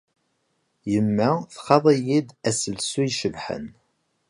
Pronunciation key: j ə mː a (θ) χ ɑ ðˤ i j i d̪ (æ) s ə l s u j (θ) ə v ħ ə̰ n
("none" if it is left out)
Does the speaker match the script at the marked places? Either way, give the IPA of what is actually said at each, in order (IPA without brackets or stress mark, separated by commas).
θ, æ, ʃ